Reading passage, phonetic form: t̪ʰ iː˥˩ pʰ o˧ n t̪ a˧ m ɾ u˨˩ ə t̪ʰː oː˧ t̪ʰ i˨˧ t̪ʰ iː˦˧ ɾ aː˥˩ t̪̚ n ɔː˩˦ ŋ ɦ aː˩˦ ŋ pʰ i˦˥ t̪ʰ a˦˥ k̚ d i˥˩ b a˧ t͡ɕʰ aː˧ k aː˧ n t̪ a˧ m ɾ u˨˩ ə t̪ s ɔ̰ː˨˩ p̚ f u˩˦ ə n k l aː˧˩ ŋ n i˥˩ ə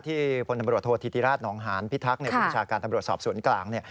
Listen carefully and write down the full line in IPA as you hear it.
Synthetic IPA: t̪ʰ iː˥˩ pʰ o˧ n t̪ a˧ m ɾ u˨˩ ə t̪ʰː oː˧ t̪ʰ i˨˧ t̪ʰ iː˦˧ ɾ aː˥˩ t̪̚ n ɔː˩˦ ŋ ɦ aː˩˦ n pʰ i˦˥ t̪ʰ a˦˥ k̚ n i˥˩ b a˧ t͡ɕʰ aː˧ k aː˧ n t̪ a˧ m ɾ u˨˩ ə t̪ s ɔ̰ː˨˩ p̚ s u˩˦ ə n k l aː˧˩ ŋ n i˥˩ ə